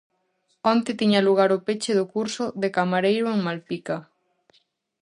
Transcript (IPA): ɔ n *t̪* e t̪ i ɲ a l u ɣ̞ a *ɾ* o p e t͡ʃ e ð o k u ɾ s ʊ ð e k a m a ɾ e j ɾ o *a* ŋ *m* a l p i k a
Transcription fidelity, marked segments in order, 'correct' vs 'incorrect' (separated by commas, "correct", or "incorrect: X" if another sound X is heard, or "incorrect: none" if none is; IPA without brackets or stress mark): correct, correct, incorrect: e, correct